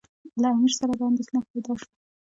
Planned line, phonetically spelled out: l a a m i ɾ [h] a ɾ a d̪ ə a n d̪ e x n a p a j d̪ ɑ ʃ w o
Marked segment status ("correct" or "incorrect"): incorrect